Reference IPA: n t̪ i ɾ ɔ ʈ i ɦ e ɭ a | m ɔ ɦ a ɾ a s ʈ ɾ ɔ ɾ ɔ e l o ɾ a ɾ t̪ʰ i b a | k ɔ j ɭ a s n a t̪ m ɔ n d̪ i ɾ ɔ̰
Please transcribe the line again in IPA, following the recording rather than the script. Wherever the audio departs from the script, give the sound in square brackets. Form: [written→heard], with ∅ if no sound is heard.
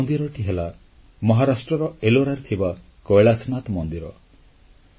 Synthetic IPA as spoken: n [t̪→d̪] i ɾ ɔ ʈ i ɦ e [ɭ→l] a | m ɔ ɦ a ɾ a s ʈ ɾ ɔ ɾ ɔ e l o ɾ a ɾ t̪ʰ i b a | k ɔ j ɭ a s n a t̪ m ɔ n d̪ i ɾ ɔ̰